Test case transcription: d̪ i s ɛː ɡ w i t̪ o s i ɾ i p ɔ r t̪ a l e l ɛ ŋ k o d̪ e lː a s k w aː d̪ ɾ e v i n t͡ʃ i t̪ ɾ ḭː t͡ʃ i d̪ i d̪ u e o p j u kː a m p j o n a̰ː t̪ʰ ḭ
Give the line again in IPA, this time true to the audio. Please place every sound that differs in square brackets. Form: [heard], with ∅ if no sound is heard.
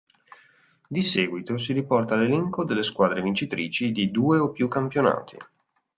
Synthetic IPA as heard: d̪ i s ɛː ɡ w i t̪ o s i ɾ i p ɔ r t̪ a l e l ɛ ŋ k o d̪ e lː [e] s k w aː d̪ ɾ e v i n t͡ʃ i t̪ ɾ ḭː t͡ʃ i d̪ i d̪ [uː] e o p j u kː a m p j o n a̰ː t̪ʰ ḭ